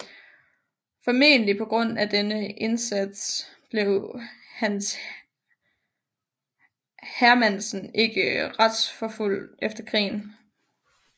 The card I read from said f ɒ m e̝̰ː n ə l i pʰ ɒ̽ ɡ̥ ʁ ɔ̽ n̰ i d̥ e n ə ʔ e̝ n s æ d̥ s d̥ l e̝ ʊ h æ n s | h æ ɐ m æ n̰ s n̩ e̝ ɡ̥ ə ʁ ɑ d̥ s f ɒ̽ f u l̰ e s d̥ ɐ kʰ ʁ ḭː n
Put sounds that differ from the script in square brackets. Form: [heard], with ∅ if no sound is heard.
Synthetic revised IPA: f ɒ m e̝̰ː n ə l i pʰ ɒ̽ ɡ̥ ʁ ɔ̽ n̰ [æ] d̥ e n ə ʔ e̝ n s æ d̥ s [b̥] l e̝ ʊ h æ n s | h æ ɐ m æ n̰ s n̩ e̝ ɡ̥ ə ʁ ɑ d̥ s f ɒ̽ f u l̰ e [f] d̥ ɐ kʰ ʁ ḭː n

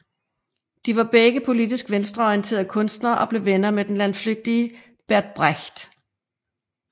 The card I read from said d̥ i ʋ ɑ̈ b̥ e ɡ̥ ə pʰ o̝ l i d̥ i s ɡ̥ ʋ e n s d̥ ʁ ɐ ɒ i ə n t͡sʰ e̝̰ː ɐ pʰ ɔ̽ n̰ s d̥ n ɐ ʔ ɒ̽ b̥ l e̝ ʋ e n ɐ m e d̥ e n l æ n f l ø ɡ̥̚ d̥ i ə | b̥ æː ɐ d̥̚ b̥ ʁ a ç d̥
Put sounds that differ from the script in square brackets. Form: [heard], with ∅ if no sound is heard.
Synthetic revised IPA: d̥ i ʋ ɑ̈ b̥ e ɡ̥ ə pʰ o̝ l i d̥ i s ɡ̥ ʋ e n s d̥ ʁ ɐ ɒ i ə n t͡sʰ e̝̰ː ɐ [kʰ] ɔ̽ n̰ s d̥ n ɐ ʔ ɒ̽ b̥ l e̝ ʋ e n ɐ m e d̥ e n l æ n f l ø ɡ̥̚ d̥ i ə | b̥ [æ] ɐ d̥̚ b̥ ʁ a ç d̥

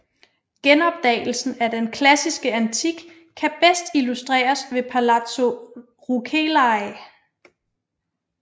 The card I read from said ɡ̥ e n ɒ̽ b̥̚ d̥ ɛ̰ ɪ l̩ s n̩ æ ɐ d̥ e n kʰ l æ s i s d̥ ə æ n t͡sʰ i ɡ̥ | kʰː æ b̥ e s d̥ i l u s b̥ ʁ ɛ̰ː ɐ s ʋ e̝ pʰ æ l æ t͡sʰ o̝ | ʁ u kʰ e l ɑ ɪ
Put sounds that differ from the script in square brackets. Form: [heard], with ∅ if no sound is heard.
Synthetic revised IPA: ɡ̥ e n ɒ̽ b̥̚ d̥ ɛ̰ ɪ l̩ s n̩ æ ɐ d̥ e n kʰ l æ s i s [ɡ̥] ə æ n t͡sʰ i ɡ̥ | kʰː æ b̥ e s d̥ i l u s [d̥] ʁ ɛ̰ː ɐ s ʋ e̝ pʰ æ l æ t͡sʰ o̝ | ʁ u kʰ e l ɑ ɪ

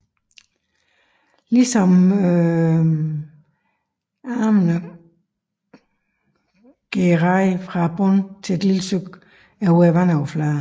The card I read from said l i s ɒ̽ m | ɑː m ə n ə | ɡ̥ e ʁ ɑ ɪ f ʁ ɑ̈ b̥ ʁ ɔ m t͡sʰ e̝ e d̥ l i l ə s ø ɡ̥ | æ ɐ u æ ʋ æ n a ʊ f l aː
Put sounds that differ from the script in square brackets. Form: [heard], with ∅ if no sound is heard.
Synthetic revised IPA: l i s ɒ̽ m | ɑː m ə n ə | ɡ̥ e ʁ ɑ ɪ f ʁ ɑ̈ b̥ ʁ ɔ [n] t͡sʰ e̝ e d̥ l i l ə s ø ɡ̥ | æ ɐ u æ ʋ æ n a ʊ f l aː

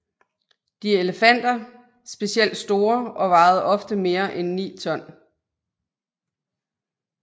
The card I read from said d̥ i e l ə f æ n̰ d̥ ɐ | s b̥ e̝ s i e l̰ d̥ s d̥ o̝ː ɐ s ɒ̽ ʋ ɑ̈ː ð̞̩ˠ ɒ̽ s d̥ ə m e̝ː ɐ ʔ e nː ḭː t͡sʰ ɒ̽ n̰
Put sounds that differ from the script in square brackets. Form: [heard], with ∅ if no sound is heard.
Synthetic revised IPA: d̥ i e l ə f æ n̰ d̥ ɐ | s b̥ e̝ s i e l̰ d̥ s d̥ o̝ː ɐ [∅] ɒ̽ ʋ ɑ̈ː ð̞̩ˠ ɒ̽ [f] d̥ ə m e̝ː ɐ ʔ e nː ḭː t͡sʰ ɒ̽ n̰

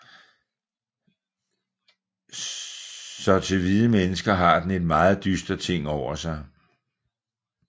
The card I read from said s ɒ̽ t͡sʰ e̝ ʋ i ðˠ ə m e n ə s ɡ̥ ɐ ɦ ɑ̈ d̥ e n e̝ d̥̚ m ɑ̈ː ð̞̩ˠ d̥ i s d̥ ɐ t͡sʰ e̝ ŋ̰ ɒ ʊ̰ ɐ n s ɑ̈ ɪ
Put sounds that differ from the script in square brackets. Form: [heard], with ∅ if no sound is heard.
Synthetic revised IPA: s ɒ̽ t͡sʰ e̝ ʋ i ðˠ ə m e n ə s ɡ̥ ɐ ɦ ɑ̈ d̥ e n e̝ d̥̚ m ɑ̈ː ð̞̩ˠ d̥ [y] s d̥ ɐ t͡sʰ e̝ ŋ̰ ɒ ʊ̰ ɐ [∅] s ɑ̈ ɪ

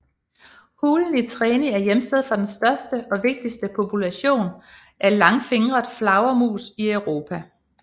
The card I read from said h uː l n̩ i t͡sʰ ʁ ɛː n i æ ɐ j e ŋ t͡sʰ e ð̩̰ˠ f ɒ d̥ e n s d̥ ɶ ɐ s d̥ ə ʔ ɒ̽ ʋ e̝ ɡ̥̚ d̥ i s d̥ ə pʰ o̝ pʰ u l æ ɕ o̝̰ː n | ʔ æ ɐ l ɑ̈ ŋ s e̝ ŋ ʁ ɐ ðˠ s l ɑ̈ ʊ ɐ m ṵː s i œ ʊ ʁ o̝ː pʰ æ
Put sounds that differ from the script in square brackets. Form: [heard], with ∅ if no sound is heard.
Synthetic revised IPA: h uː l n̩ i t͡sʰ ʁ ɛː n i æ ɐ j e [m] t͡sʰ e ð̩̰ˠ f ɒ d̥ e n s d̥ ɶ ɐ s d̥ ə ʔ ɒ̽ ʋ e̝ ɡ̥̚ d̥ i s d̥ ə pʰ o̝ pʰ u l æ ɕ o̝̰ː n | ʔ æ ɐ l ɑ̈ ŋ [f] e̝ ŋ ʁ ɐ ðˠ [f] l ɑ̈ ʊ ɐ m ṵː s i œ ʊ ʁ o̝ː pʰ æ

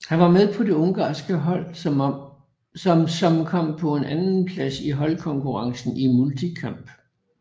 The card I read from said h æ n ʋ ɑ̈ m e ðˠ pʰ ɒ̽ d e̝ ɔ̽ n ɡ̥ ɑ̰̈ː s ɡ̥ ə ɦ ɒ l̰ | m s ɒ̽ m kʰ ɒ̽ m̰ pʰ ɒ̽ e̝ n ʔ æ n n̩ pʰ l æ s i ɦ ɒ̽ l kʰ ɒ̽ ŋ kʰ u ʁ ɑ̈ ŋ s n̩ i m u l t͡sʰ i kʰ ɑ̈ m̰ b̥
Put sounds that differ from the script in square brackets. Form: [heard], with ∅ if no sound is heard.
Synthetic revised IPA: h æ n ʋ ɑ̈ m e ðˠ pʰ ɒ̽ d e̝ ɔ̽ [ŋ] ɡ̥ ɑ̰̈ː s ɡ̥ ə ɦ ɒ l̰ | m s ɒ̽ m kʰ ɒ̽ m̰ pʰ ɒ̽ e̝ n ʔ æ n n̩ pʰ l æ s i ɦ ɒ̽ l kʰ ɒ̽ ŋ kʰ u ʁ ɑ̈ ŋ s n̩ i m u l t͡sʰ i kʰ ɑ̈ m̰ b̥

